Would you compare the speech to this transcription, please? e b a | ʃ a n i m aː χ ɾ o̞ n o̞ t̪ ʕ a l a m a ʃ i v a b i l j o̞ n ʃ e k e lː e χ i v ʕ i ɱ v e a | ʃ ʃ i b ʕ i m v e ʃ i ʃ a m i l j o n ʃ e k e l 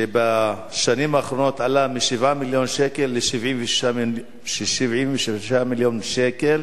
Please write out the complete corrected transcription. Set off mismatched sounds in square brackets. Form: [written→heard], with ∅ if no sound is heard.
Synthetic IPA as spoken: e b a | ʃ a n i m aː χ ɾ o̞ n o̞ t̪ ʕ a l a m [a→i] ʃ i v a [b→m] i l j o̞ n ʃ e k e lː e [χ→ʃ] i v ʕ i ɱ v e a | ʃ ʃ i [b→v] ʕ i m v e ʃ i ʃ a m i l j o n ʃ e k e l

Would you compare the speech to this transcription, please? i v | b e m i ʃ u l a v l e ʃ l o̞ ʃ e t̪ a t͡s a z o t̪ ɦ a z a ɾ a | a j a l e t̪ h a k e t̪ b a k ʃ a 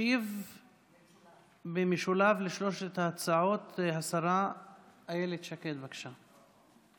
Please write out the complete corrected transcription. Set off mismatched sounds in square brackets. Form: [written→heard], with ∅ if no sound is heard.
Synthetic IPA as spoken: i v | b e m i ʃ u l a v l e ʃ l o̞ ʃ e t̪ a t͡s a [z→ʕ] o t̪ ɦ a [z→s] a ɾ a | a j [a→e] l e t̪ [h→ʃ] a k e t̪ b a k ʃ a

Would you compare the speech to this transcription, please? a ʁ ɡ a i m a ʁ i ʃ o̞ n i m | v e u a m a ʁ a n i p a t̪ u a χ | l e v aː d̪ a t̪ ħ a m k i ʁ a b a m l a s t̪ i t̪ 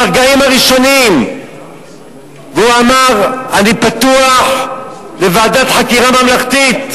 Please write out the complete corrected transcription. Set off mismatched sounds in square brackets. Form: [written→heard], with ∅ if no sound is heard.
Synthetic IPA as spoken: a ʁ ɡ a i m a ʁ i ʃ o̞ n i m | v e u a m a ʁ a n i p a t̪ u a [χ→ħ] | l e v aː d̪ a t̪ ħ a [m→∅] k i ʁ a [b→m] a m l a [s→χ] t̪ i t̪

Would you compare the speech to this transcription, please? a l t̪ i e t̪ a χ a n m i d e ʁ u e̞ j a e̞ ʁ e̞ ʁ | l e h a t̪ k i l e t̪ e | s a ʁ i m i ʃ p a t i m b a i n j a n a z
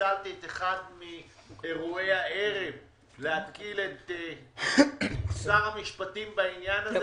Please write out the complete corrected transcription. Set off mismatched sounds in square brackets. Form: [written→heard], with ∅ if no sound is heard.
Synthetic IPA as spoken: a l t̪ i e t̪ [a→e] χ a [n→d] m i [d→∅] e ʁ u e̞ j a e̞ ʁ e̞ [ʁ→v] | l e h a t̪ k i l e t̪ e | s a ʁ [i→a] m i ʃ p a t i m b a i n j a n a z

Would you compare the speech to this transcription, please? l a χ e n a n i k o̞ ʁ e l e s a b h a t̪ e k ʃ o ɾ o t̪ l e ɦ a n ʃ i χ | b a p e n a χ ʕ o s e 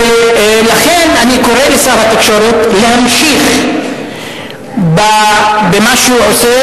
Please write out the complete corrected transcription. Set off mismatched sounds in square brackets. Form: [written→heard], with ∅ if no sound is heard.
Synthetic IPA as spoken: l a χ e n a n i k o̞ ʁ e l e s a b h a t̪ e k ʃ o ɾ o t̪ l e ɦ a [n→m] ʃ i χ | b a [p→b] e [n→m] a [χ→ʃ] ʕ o s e

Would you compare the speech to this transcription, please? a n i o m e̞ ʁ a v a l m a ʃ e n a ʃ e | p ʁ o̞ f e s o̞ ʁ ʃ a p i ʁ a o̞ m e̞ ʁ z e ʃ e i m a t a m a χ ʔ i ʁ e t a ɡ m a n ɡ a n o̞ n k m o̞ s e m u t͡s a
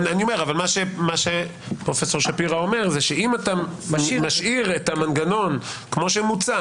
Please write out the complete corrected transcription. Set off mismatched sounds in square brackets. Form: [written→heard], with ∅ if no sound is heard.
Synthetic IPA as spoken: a n i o m e̞ ʁ a v a l m a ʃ e [n→m] a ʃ e | p ʁ o̞ f e s o̞ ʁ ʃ a p i ʁ a o̞ m e̞ ʁ z e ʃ e i m a t a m a [χ→ʃ] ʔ i ʁ e t a [ɡ→∅] m a n ɡ a n o̞ n k m o̞ [s→ʃ] e m u t͡s a

